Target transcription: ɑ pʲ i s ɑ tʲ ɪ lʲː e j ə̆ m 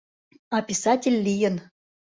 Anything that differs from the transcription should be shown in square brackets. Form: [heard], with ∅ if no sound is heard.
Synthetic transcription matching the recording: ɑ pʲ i s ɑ tʲ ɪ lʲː [i] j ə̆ [n]